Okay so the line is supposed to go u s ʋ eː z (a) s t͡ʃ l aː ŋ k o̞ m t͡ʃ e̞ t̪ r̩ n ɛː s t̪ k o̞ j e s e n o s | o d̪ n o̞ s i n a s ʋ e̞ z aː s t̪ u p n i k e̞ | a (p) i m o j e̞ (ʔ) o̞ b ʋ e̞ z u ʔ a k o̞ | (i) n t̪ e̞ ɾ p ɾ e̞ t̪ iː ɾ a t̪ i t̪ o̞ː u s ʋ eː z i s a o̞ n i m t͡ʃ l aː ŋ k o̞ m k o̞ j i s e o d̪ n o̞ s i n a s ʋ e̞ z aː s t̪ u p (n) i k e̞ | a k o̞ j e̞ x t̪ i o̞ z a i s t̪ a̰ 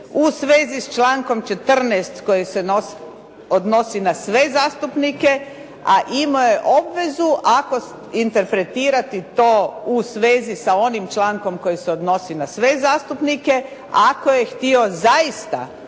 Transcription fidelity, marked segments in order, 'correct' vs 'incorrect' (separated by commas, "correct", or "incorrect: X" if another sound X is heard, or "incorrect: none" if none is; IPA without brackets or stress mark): incorrect: i, incorrect: ʔ, correct, correct, correct